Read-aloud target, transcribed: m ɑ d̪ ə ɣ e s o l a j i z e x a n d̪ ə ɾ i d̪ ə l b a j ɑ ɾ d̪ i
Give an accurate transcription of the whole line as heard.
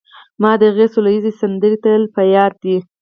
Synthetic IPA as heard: m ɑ d̪ ə ɣ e s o l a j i z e s a n d̪ ə ɾ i t̪ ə l p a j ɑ ɾ d̪ i